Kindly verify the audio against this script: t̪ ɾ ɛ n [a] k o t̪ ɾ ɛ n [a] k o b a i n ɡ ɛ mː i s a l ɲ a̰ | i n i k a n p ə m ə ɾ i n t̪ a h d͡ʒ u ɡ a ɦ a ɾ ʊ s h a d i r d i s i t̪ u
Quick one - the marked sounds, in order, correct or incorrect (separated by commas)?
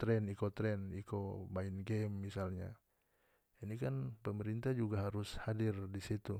incorrect, incorrect